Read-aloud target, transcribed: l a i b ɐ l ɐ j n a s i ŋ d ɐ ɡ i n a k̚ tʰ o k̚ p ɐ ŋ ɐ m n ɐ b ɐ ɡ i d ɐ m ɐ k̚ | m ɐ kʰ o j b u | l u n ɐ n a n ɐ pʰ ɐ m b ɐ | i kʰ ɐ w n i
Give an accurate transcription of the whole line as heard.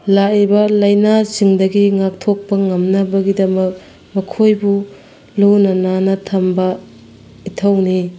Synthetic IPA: l a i b ɐ l ɐ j n a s i ŋ d ɐ ɡ i ŋ a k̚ tʰ o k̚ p ɐ ŋ ɐ m n ɐ b ɐ ɡ i d ɐ m ɐ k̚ | m ɐ kʰ o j b u | l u n ɐ n a n ɐ tʰ ɐ m b ɐ | i tʰ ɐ w n i

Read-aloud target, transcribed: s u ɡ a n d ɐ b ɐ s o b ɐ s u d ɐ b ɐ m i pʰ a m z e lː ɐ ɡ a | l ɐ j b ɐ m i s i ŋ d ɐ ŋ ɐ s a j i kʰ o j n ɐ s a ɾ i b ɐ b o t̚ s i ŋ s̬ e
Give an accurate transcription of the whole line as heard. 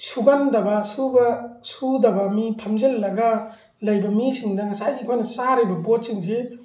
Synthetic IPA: s u ɡ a n d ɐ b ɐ s u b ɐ s u d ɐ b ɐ m i pʰ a m z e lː ɐ ɡ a | l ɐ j b ɐ m i s i ŋ d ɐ ŋ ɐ s a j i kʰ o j n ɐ s a ɾ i b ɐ b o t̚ s i ŋ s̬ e

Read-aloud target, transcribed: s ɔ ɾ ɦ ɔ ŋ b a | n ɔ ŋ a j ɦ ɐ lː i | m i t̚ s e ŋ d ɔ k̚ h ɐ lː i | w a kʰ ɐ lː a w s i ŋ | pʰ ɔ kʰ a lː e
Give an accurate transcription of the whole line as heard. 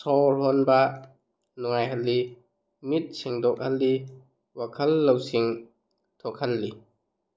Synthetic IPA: s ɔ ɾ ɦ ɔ n b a | n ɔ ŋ a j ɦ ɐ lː i | m i t̚ s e ŋ d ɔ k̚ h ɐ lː i | w a kʰ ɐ lː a w s i ŋ | tʰ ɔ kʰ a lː i

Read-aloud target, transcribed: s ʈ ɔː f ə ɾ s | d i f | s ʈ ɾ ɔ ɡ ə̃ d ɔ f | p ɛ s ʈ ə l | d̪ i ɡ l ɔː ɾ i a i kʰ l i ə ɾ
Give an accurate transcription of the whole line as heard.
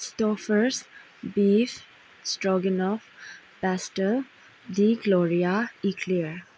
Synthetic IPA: s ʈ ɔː f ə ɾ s | b i f | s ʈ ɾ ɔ ɡ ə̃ n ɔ f | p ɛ s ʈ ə l | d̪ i ɡ l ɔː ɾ i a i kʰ l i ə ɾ

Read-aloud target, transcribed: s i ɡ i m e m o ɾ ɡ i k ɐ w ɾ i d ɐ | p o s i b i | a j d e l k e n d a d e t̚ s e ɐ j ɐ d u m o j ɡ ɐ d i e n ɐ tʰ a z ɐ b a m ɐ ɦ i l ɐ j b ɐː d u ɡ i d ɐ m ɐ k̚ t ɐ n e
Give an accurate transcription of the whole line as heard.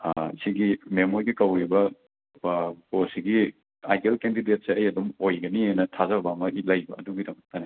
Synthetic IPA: s i ɡ i m e m o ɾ ɡ i k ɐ w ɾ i b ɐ | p o s i ɡ i | a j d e l k e n d i d e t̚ s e ɐ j ɐ d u m o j ɡ ɐ n i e n ɐ tʰ a z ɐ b a m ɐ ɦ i l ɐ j b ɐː d u ɡ i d ɐ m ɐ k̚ t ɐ n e

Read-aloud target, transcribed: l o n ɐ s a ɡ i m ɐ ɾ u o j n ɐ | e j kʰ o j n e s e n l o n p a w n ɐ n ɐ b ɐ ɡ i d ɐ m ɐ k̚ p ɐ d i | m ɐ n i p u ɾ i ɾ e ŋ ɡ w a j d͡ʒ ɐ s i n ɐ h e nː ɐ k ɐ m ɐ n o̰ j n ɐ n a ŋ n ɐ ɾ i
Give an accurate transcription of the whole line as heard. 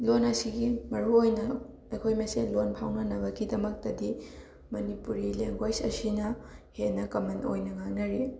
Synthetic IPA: l o n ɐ s i ɡ i m ɐ ɾ u o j n ɐ | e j kʰ o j m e s e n l o n pʰ a w n ɐ n ɐ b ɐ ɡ i d ɐ m ɐ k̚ t ɐ d i | m ɐ n i p u ɾ i l e ŋ ɡ w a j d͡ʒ ɐ s i n ɐ h e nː ɐ k ɐ m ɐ n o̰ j n ɐ ŋ a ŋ n ɐ ɾ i

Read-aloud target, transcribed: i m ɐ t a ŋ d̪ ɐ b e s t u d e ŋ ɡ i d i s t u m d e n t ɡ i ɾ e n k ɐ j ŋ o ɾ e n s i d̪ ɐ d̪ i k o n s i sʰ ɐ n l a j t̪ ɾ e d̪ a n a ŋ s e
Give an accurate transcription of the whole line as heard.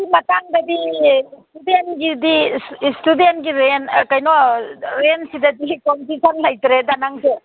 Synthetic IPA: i m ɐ t a ŋ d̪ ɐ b i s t u d e n ɡ i d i s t u d e n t ɡ i ɾ e n k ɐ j n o ɾ e n s i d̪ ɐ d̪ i k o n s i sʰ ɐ n l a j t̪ ɾ e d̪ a n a ŋ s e

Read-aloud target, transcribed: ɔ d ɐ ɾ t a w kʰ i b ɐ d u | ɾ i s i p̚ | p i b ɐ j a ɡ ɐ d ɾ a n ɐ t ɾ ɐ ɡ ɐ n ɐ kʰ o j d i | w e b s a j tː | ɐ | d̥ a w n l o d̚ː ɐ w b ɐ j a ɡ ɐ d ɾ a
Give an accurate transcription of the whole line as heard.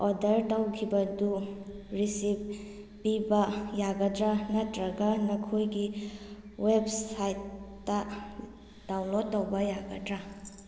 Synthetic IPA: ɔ d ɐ ɾ t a w kʰ i b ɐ d u | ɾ i s i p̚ | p i b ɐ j a ɡ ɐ d ɾ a n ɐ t ɾ ɐ ɡ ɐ n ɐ kʰ o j ɡ i | w e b s a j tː | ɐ | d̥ a w n l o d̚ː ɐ w b ɐ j a ɡ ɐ d ɾ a

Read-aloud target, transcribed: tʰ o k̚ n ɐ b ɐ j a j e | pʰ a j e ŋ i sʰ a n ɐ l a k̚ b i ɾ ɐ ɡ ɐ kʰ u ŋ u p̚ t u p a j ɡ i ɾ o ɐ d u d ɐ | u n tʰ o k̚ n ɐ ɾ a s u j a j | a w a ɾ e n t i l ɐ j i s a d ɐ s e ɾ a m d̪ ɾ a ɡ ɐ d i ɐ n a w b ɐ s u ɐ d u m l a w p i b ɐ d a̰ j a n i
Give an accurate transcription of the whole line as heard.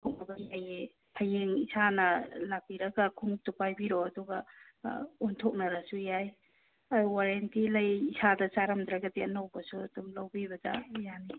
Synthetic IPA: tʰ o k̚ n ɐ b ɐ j a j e | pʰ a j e ŋ i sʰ a n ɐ l a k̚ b i ɾ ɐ ɡ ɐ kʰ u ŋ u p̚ t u p a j b i ɾ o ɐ d u ɡ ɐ | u n tʰ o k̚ n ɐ ɾ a s u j a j | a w a ɾ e n t i l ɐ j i s a d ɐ s a ɾ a m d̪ ɾ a ɡ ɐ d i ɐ n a w b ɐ s u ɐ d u m l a w b i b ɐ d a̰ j a n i

